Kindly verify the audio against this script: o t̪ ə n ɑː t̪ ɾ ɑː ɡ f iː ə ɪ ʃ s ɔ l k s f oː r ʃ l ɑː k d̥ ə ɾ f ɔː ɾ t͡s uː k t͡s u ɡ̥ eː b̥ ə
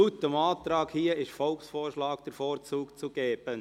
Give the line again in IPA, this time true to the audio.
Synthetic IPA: u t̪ ə m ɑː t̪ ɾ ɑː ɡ h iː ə ɪ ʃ f ɔ l k s f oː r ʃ l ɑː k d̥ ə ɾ f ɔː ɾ t͡s uː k t͡s u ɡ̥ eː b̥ ə